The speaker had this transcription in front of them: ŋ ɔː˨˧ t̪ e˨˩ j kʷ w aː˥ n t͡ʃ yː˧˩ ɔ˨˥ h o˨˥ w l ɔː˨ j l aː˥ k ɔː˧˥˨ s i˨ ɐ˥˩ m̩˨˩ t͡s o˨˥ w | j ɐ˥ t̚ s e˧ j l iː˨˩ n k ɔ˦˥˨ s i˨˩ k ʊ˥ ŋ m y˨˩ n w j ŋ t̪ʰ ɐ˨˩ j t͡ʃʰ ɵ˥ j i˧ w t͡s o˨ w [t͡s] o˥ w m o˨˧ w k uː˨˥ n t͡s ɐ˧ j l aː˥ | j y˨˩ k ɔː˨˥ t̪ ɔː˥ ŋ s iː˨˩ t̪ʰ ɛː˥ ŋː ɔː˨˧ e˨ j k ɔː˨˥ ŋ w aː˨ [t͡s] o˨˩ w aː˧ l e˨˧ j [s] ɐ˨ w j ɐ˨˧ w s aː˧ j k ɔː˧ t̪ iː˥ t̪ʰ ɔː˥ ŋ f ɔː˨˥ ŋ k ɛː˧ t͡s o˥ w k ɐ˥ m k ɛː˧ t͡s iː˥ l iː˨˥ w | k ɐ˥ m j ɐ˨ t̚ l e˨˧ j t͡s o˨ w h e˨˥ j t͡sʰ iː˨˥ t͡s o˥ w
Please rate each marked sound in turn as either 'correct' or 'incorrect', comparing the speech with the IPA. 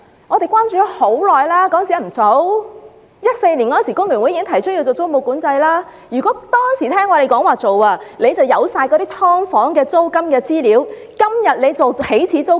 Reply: correct, correct, incorrect

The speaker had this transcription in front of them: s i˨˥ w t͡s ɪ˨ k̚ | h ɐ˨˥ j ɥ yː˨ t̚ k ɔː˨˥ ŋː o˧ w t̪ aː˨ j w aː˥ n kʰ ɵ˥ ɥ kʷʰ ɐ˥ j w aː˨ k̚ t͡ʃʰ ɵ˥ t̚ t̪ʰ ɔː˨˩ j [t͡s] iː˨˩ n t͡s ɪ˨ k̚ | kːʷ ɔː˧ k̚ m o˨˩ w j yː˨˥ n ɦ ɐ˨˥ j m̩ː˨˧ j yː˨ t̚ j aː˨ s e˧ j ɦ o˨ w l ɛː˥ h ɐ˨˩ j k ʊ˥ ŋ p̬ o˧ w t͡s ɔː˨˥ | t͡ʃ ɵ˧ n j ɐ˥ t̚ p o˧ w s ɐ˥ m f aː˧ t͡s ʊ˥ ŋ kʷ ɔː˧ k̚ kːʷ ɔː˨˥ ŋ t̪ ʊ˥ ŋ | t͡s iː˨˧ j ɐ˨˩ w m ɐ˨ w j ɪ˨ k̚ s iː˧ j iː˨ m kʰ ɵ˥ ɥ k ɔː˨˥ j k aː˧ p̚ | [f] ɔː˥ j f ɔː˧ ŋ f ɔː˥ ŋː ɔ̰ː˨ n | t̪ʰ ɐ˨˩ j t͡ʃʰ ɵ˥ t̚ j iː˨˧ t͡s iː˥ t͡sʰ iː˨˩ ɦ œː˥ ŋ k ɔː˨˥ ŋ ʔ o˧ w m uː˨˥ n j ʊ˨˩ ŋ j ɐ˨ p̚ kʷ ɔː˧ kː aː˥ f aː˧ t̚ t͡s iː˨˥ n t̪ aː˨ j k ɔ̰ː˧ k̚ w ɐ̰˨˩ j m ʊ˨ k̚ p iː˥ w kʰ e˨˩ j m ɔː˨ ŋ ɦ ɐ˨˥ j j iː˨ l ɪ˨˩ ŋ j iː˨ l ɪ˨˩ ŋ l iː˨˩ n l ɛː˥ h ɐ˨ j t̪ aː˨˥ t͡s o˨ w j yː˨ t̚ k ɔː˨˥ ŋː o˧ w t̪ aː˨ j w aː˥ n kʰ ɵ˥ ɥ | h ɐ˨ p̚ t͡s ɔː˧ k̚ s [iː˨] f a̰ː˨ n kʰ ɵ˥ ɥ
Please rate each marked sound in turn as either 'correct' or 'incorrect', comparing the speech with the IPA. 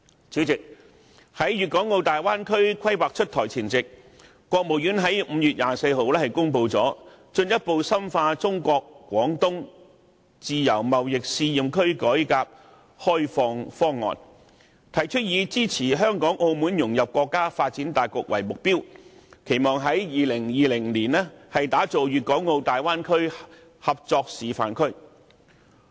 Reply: incorrect, incorrect, correct

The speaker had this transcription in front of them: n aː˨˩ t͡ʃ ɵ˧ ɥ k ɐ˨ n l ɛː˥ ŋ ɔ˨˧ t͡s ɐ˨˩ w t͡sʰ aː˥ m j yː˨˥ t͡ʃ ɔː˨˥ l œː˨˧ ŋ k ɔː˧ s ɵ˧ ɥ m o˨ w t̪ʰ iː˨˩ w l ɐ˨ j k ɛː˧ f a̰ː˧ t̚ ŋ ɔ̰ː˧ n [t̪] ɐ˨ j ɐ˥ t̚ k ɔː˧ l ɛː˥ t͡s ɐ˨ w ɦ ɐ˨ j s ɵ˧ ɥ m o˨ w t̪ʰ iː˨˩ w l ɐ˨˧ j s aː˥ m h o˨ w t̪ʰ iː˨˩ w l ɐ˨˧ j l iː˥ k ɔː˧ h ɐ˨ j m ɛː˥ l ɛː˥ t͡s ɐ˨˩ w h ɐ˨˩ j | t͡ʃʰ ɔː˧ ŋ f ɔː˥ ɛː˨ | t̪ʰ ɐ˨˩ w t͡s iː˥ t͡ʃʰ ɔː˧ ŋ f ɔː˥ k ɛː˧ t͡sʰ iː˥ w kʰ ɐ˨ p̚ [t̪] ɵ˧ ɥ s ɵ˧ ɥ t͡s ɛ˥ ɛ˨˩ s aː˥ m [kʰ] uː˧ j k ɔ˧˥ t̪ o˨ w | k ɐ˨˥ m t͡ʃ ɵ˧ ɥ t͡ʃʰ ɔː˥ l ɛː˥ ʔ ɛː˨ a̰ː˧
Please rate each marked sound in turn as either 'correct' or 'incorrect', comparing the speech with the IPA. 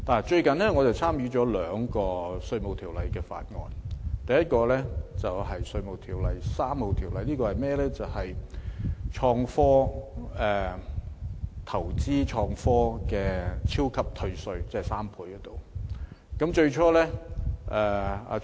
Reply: correct, incorrect, incorrect

